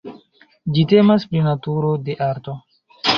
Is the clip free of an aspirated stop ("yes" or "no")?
yes